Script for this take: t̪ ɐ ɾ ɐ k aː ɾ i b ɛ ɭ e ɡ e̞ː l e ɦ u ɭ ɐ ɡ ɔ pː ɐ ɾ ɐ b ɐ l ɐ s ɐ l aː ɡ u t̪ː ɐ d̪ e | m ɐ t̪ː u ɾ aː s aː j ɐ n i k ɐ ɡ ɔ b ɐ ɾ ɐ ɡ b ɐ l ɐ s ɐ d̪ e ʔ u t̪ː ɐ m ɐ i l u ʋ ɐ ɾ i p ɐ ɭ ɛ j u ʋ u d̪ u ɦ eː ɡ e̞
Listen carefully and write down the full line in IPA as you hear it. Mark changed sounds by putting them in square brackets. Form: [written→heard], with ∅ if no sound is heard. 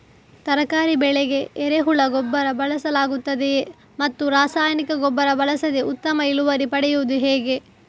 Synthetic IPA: t̪ ɐ ɾ ɐ k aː ɾ i b ɛ ɭ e ɡ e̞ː [l→ɾ] e ɦ u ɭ ɐ ɡ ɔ [pː→bː] ɐ ɾ ɐ b ɐ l ɐ s ɐ l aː ɡ u t̪ː ɐ d̪ e | m ɐ t̪ː u ɾ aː s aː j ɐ n i k ɐ ɡ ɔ [b→bː] ɐ ɾ ɐ [ɡ→∅] b ɐ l ɐ s ɐ d̪ e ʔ u t̪ː ɐ m ɐ i l u ʋ ɐ ɾ i p ɐ [ɭ→ɽ] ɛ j u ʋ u d̪ u ɦ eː ɡ e̞